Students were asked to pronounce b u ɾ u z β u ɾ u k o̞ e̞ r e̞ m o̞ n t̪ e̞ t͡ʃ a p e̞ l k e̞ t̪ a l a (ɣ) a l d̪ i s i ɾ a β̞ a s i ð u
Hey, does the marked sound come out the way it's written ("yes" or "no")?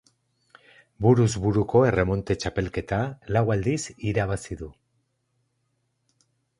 no